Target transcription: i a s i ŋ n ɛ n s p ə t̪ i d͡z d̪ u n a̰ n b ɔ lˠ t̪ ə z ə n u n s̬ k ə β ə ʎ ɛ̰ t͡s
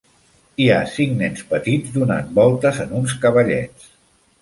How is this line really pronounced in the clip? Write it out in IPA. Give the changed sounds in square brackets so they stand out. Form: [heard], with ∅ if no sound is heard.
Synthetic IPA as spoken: i a s i ŋ n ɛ n s p ə t̪ i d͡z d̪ u n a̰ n b ɔ lˠ t̪ ə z ə n u n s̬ k ə β ə ʎ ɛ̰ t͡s